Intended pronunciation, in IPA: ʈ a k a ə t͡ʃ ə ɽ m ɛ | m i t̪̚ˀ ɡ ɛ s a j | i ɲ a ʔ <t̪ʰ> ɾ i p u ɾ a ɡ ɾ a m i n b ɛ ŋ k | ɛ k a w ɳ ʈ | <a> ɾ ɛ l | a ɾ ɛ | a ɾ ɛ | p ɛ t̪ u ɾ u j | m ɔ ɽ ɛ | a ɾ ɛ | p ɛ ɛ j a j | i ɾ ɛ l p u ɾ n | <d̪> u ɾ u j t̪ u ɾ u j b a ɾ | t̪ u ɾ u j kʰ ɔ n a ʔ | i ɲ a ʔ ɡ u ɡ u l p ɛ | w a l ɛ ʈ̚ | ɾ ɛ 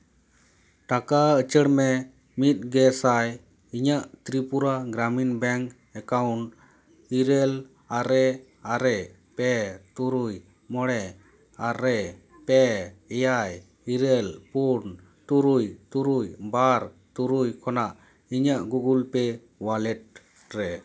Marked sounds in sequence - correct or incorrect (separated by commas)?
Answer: incorrect, incorrect, incorrect